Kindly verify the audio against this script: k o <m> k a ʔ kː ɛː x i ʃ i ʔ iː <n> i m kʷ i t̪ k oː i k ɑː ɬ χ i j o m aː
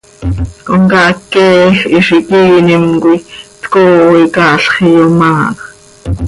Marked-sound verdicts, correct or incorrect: incorrect: ŋ, correct

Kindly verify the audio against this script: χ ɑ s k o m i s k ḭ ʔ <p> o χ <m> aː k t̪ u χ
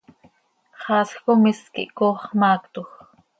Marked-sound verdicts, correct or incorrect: incorrect: k, correct

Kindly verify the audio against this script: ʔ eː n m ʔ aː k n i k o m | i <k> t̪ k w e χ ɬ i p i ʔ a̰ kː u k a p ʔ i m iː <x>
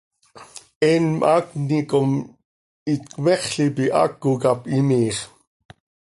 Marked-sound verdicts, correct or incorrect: incorrect: none, incorrect: χ

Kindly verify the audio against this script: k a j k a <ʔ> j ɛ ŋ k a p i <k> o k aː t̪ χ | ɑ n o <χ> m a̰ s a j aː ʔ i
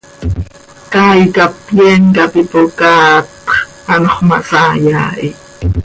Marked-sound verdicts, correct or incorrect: incorrect: p, incorrect: p, correct

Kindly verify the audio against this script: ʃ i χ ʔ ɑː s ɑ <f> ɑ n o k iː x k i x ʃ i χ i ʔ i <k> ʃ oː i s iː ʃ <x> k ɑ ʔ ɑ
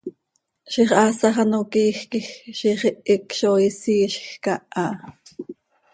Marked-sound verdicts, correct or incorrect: incorrect: χ, correct, correct

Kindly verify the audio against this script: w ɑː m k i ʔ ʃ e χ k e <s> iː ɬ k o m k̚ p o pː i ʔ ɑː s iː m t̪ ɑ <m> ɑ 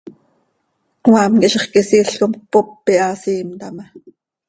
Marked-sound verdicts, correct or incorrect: correct, correct

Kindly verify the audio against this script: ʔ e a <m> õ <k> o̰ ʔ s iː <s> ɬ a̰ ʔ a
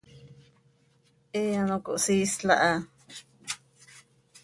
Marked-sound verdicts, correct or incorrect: incorrect: n, correct, correct

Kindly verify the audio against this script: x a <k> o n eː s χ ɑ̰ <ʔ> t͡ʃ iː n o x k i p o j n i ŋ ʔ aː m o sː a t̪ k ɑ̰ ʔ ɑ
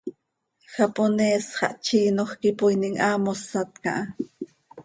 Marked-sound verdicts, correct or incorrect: incorrect: p, correct

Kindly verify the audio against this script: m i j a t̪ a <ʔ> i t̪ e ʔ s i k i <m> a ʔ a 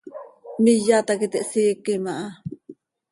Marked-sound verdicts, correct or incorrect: incorrect: k, correct

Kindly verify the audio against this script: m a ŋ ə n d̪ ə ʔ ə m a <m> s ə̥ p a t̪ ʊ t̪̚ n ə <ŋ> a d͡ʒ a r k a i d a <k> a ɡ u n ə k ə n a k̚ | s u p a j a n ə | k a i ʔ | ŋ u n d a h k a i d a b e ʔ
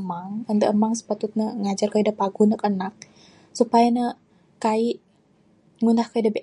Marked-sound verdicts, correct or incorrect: incorrect: ŋ, correct, incorrect: p

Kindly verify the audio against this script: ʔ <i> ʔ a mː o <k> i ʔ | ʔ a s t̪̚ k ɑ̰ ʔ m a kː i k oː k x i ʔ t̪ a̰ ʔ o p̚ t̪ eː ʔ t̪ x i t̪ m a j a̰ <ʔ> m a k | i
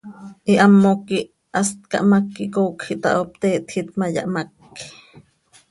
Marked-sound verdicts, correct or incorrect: correct, correct, correct

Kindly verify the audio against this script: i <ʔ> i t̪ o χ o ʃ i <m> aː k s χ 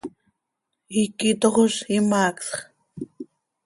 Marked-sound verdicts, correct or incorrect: incorrect: k, correct

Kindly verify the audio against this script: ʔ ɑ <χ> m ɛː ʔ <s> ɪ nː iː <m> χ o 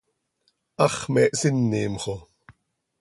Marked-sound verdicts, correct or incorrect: correct, correct, correct

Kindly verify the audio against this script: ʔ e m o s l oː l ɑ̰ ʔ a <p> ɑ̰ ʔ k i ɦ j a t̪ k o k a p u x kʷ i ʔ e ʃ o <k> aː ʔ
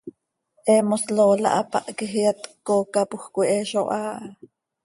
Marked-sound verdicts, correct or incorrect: correct, incorrect: ʔ

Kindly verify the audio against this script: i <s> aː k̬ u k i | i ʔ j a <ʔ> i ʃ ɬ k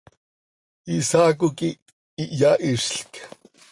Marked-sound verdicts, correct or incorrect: correct, correct

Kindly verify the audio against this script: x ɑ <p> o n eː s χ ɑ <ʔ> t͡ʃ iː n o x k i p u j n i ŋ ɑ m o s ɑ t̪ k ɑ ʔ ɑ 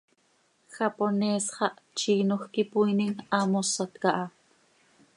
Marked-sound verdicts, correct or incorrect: correct, correct

